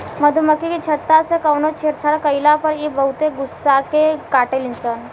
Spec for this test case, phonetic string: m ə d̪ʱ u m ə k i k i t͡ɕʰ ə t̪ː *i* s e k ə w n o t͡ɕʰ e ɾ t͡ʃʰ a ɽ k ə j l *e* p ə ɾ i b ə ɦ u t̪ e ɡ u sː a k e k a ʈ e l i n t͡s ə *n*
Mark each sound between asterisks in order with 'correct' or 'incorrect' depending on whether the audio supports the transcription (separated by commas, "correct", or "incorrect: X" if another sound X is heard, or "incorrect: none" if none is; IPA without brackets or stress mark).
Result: incorrect: a, incorrect: a, correct